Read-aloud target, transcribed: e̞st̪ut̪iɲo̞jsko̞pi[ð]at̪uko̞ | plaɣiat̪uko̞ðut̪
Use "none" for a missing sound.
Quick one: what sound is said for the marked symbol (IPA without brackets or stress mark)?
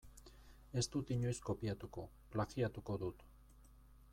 none